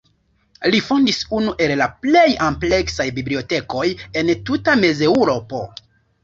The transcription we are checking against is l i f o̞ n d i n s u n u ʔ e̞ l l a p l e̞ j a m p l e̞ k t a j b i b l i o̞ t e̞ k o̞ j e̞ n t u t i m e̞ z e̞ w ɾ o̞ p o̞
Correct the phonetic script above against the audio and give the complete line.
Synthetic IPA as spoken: l i f o̞ n d i s u n u ʔ e̞ l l a p l e̞ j a m p l e̞ k s a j b i b l i o̞ t e̞ k o̞ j e̞ n t u t a m e̞ z e̞ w ɾ o̞ p o̞